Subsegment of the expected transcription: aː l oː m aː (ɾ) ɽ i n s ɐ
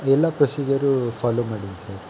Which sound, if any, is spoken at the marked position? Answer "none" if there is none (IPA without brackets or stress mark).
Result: none